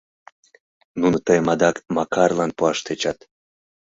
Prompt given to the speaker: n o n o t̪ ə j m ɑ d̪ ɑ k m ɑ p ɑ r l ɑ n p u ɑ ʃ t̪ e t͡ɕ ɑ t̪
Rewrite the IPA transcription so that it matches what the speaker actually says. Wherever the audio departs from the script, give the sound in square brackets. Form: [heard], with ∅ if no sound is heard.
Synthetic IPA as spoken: n [u] n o t̪ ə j m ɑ d̪ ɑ k m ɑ [k] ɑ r l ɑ n p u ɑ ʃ t̪ e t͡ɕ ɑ t̪